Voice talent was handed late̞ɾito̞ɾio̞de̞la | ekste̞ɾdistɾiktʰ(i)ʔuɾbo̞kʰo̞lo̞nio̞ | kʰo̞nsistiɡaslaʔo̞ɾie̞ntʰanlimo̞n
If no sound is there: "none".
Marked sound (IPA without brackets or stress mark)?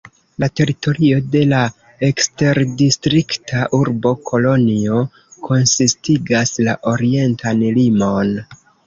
a